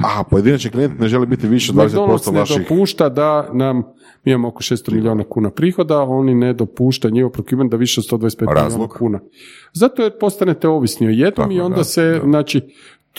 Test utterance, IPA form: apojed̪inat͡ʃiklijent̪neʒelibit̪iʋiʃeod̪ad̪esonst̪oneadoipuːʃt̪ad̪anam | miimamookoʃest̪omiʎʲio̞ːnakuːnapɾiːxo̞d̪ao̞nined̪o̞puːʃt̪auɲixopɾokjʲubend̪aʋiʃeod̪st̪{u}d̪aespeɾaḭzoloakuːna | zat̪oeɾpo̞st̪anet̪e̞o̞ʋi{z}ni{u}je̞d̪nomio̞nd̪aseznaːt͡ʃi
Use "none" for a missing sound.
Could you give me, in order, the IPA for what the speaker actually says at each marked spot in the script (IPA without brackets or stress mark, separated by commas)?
o, s, o